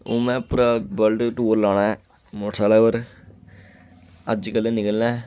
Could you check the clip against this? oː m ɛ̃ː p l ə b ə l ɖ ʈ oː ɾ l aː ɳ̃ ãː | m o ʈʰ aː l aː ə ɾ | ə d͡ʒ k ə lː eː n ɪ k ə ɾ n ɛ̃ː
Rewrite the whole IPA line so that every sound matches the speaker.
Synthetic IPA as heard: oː m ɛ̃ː p ɾ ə b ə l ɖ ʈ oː ɾ l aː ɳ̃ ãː | m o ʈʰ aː l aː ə ɾ | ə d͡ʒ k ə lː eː n ɪ k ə l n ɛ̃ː